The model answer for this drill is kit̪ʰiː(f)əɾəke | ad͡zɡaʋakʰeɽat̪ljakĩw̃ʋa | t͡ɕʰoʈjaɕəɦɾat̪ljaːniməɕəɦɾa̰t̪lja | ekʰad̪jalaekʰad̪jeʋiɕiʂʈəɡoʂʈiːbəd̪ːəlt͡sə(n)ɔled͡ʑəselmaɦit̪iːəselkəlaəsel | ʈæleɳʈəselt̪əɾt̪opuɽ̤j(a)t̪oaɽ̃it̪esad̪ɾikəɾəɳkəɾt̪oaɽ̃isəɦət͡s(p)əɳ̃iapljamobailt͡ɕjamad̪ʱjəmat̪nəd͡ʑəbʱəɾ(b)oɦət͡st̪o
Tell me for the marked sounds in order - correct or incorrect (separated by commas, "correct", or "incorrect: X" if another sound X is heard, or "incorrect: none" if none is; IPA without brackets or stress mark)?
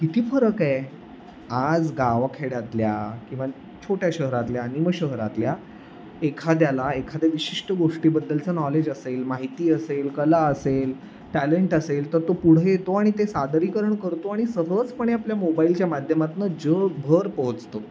correct, correct, incorrect: e, correct, incorrect: p